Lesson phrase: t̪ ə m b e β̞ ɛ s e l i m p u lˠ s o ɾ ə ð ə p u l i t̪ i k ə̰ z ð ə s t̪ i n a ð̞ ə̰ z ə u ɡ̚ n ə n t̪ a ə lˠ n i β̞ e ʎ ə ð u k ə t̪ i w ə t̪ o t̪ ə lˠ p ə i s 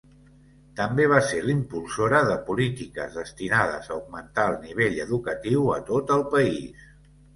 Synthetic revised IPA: t̪ ə m b e β̞ a s e l i m p u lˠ s o ɾ ə ð ə p u l i t̪ i k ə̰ z ð ə s t̪ i n a ð̞ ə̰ z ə u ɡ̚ m ə n t̪ a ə lˠ n i β̞ e ʎ ə ð u k ə t̪ i w ə t̪ o t̪ ə lˠ p ə i s